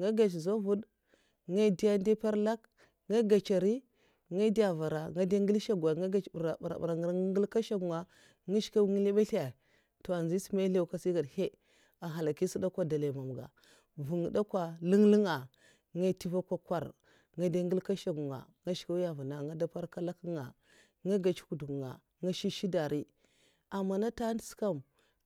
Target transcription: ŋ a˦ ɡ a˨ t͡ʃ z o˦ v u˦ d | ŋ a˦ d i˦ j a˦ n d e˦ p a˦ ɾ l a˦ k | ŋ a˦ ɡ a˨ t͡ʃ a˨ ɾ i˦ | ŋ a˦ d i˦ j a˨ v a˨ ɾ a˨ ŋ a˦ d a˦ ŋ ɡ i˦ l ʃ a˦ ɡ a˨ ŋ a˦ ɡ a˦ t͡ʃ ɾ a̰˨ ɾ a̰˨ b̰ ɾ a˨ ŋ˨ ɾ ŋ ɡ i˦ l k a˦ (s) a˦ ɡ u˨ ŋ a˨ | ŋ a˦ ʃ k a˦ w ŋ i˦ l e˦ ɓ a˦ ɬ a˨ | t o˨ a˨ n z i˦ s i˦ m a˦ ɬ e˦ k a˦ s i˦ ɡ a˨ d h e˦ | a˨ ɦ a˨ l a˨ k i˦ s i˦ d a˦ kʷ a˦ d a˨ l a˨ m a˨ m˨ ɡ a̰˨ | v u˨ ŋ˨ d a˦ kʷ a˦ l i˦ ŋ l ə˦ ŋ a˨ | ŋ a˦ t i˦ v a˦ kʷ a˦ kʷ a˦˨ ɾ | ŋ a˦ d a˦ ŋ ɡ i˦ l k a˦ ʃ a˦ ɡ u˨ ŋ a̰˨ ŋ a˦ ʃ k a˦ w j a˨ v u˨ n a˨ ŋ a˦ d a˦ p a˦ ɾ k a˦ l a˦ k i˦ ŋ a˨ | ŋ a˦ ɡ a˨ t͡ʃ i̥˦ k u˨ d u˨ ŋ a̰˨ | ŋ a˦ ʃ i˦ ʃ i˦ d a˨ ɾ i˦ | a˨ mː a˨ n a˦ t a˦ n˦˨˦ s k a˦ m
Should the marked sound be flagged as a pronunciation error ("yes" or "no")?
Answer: yes